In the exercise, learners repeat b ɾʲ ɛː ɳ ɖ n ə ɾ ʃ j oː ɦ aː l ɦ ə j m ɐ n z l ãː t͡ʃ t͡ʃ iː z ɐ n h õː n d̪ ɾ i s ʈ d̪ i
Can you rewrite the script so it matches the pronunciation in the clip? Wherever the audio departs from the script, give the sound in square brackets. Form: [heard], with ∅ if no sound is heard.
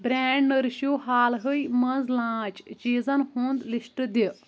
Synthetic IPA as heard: b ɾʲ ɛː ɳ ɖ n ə ɾ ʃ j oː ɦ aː l ɦ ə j m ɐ n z l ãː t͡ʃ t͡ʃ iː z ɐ n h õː n d̪ [l] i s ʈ d̪ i

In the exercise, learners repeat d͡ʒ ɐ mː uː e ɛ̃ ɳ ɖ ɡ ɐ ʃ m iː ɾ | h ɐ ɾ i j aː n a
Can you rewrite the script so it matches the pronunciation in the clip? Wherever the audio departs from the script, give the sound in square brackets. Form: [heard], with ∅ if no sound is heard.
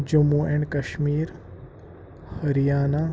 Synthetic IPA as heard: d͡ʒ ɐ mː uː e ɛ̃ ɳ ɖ [k] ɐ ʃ m iː ɾ | h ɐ ɾ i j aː n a

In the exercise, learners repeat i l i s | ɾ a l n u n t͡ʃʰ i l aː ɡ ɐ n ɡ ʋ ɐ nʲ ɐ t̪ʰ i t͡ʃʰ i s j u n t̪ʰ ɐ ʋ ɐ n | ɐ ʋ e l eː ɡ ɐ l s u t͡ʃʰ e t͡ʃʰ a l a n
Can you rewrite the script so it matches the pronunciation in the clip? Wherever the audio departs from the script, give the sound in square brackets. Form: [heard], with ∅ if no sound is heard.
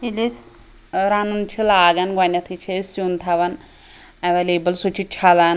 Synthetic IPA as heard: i l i s | ɾ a [∅] n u n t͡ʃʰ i l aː ɡ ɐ n ɡ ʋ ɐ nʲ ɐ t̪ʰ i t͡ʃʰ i s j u n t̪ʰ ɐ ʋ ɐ n | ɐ ʋ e l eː [b] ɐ l s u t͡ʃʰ [i] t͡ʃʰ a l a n

